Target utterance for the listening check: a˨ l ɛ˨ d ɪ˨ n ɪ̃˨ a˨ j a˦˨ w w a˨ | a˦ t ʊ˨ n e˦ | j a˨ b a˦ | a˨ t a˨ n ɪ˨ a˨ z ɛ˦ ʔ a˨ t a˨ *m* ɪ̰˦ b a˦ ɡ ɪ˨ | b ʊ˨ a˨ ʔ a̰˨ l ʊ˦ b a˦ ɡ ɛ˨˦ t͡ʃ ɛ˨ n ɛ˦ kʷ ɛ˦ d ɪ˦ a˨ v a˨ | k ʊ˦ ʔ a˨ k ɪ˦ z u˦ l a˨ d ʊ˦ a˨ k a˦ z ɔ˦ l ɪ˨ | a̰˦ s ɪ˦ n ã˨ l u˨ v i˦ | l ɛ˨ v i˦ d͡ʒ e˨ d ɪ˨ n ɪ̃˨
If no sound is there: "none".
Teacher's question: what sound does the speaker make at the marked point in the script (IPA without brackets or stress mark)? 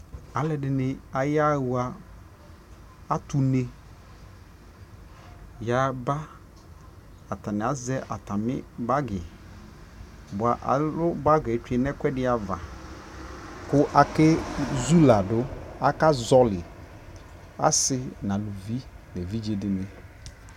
m